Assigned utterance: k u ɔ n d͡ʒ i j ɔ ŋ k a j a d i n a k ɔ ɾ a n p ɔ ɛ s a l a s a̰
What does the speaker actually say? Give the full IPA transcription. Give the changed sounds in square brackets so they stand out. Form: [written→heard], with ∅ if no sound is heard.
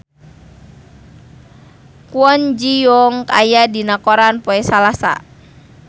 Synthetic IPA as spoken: k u ɔ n d͡ʒ i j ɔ ŋ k a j a d i n a k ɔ ɾ a n p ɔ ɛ s a l a s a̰